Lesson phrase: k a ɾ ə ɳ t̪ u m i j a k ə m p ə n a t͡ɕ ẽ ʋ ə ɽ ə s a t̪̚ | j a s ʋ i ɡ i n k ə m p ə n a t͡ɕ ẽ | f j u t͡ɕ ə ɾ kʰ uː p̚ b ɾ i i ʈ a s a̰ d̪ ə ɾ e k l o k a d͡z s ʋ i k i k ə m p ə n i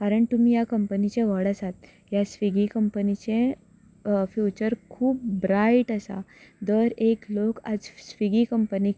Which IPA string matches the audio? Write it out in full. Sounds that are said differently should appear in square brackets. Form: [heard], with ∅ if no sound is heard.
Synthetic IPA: k a ɾ ə ɳ t̪ u m i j a k ə m p ə n [i] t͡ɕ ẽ ʋ ə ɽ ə s a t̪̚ | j a s ʋ i ɡ i [∅] k ə m p ə n [i] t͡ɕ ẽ | f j u t͡ɕ ə ɾ kʰ uː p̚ b ɾ [a] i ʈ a s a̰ d̪ ə ɾ e k l o k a d͡z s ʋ i [ɡ] i k ə m p ə n i